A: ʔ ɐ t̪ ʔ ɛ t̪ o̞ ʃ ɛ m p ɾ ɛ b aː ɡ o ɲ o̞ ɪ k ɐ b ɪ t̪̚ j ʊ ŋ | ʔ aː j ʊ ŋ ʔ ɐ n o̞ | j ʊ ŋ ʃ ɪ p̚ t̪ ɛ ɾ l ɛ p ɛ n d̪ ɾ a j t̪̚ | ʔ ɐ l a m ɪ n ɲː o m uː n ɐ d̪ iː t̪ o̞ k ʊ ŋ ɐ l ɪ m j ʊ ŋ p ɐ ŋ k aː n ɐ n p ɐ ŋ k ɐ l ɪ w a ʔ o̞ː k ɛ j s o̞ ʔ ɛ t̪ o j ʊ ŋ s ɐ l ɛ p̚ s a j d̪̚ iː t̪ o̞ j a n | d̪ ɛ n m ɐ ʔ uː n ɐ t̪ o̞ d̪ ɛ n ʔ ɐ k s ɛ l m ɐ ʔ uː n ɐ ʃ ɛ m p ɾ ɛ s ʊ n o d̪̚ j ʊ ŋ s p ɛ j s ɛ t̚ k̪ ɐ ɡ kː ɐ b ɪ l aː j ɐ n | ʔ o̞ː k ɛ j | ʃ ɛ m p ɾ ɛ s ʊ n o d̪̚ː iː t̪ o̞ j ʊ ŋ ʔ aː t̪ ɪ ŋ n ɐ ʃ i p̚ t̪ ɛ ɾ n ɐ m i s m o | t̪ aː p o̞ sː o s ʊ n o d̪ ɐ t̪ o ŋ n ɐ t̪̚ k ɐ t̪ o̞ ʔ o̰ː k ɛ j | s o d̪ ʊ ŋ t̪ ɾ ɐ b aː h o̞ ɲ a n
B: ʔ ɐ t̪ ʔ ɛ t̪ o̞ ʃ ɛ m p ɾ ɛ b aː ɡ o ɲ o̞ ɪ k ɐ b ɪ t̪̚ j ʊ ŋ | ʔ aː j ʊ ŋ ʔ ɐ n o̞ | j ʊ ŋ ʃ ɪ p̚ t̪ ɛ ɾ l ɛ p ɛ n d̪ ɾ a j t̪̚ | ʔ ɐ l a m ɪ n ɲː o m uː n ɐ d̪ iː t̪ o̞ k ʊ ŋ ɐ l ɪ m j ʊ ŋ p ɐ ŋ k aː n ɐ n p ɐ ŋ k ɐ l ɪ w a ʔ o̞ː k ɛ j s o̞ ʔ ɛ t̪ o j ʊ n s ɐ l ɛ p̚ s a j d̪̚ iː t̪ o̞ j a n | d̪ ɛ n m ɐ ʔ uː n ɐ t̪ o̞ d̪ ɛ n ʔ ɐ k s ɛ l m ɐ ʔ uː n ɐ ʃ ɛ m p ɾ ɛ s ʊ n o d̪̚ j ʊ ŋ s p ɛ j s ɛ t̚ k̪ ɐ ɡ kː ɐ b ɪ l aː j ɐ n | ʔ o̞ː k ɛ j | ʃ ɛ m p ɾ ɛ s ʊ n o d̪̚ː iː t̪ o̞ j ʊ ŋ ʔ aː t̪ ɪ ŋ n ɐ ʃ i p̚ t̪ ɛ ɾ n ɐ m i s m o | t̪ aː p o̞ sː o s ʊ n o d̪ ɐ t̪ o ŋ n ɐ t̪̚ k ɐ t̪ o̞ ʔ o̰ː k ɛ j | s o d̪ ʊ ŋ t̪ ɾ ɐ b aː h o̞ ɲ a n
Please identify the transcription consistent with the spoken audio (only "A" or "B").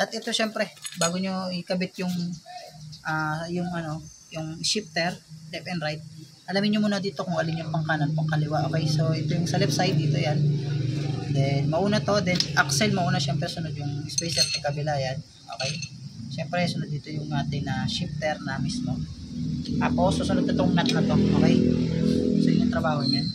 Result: A